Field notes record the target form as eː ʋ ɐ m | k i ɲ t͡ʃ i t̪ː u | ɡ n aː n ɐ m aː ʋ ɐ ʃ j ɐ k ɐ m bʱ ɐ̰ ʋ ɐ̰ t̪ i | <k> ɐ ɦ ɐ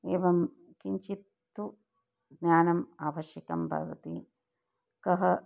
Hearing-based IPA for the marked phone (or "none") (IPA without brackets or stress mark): k